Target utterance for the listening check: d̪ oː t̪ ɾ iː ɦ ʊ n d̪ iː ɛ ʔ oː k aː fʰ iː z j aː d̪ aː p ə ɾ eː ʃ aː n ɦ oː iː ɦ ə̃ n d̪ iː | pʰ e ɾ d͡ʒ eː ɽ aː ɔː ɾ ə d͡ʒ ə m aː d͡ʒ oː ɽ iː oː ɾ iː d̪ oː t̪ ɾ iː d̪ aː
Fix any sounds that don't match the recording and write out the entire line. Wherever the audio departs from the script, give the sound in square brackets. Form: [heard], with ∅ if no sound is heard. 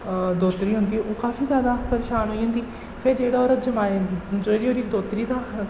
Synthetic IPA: d̪ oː t̪ ɾ iː ɦ ʊ n d̪ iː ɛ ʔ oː k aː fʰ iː z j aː d̪ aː p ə ɾ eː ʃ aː n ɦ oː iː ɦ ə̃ n d̪ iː | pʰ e ɾ d͡ʒ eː ɽ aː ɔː ɾ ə d͡ʒ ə m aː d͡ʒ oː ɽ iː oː ɾ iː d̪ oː t̪ ɾ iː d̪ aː